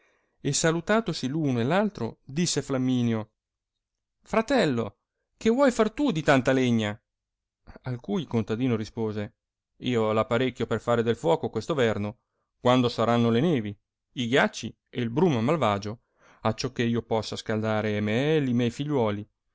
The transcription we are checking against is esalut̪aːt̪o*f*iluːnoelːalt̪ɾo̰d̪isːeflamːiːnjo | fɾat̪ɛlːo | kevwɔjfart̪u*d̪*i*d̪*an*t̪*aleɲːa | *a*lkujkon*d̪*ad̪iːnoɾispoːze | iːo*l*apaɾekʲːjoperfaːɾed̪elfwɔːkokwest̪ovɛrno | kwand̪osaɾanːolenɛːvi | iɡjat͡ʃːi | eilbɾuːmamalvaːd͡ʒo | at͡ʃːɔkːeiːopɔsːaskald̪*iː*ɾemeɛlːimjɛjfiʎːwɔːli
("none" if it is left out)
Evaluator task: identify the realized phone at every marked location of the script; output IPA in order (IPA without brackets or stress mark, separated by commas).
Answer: s, d̪, t̪, t̪, a, t̪, l, aː